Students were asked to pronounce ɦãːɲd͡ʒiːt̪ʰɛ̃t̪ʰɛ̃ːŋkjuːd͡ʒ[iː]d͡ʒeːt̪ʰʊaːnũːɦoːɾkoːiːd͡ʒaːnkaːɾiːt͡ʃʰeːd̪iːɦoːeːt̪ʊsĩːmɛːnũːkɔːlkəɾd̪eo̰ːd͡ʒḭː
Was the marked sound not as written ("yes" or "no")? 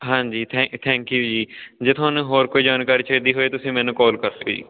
no